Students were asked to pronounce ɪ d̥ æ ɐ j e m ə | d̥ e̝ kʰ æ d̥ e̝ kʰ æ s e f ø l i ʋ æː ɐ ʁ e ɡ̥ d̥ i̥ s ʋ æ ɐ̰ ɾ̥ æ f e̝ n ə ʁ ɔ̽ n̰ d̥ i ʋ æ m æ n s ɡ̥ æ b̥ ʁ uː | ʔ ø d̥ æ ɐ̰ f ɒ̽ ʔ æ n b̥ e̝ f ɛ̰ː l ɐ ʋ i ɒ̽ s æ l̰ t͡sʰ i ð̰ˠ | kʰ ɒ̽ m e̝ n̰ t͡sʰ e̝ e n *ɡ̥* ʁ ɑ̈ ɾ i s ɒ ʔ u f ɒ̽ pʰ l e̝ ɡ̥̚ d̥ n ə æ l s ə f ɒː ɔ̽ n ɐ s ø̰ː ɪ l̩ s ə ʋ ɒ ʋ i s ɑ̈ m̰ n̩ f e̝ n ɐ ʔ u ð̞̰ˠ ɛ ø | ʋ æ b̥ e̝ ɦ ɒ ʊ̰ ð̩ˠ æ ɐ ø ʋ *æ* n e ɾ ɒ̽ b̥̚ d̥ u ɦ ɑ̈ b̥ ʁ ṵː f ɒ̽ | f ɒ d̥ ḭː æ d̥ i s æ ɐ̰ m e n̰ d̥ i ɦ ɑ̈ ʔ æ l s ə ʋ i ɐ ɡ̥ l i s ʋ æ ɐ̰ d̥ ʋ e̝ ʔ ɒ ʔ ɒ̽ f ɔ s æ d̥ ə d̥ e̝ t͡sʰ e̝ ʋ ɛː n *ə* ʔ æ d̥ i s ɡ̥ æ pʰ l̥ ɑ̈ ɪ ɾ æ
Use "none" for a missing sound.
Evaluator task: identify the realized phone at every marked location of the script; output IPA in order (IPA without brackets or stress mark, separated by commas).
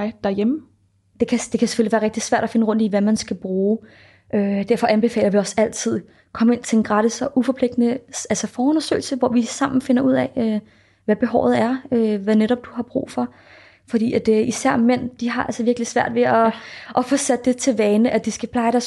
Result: ɡ̥, æ, ə